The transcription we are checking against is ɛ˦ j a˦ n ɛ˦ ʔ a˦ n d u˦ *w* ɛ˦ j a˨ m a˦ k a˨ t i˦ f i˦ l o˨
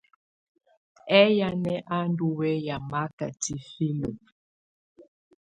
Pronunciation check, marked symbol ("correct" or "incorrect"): correct